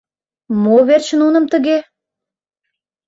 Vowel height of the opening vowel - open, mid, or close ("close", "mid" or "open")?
mid